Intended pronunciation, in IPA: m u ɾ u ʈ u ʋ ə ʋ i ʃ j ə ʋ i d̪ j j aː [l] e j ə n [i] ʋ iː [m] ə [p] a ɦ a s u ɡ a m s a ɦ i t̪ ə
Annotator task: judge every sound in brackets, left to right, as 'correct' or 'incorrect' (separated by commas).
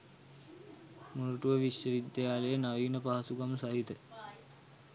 correct, incorrect, incorrect, correct